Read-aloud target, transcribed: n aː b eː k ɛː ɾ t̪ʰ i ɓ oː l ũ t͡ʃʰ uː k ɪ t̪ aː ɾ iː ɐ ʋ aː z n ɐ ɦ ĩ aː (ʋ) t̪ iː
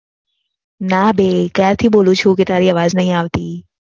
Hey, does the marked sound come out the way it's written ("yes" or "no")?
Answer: yes